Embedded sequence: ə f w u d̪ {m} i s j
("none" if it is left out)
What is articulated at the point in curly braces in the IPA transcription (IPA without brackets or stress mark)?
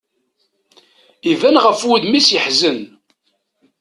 m